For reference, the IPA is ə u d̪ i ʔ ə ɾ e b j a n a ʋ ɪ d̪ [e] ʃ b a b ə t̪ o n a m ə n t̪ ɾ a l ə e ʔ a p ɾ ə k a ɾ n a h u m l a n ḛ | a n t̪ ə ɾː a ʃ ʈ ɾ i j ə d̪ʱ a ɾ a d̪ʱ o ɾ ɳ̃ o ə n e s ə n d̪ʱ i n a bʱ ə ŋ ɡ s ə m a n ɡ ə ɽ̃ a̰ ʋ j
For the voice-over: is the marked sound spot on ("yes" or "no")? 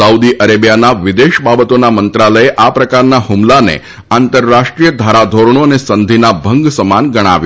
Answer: yes